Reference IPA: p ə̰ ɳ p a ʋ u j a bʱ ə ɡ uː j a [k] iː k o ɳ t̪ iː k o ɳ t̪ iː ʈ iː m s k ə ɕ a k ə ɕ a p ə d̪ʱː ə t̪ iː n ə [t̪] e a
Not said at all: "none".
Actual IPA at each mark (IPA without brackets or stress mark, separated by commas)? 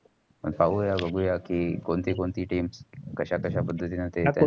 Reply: k, t̪